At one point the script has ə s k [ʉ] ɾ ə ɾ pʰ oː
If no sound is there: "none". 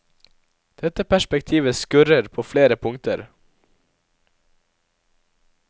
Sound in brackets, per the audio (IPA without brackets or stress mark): ʉ